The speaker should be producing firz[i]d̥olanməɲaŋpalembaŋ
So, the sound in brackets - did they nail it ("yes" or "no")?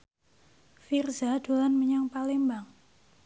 no